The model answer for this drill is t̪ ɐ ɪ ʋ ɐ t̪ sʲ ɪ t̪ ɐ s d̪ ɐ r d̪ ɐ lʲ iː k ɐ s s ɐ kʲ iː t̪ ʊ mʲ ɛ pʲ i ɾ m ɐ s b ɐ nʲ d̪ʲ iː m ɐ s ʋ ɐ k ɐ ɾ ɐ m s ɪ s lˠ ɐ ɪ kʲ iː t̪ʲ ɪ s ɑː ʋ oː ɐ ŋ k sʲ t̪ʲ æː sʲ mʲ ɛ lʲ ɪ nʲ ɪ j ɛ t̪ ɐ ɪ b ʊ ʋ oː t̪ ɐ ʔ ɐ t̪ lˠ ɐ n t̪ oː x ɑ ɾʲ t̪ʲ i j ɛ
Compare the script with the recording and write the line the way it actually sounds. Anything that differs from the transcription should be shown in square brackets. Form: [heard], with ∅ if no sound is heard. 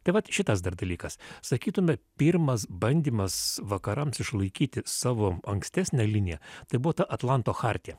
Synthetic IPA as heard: t̪ ɐ ɪ ʋ ɐ t̪ [ʃʲ] ɪ t̪ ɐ s d̪ ɐ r d̪ ɐ lʲ iː k ɐ s s ɐ kʲ iː t̪ ʊ mʲ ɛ pʲ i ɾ m ɐ s b ɐ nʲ d̪ʲ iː m ɐ s ʋ ɐ k ɐ ɾ ɐ m s ɪ [ʃ] lˠ ɐ ɪ kʲ iː t̪ʲ ɪ s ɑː ʋ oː ɐ ŋ k sʲ t̪ʲ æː sʲ [nʲ] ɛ lʲ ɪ nʲ ɪ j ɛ t̪ ɐ ɪ b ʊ ʋ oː t̪ ɐ ʔ ɐ t̪ lˠ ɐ n t̪ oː x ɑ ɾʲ t̪ʲ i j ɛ